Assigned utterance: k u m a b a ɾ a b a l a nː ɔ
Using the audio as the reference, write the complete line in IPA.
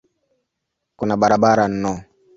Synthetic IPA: k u n a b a ɾ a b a ɾ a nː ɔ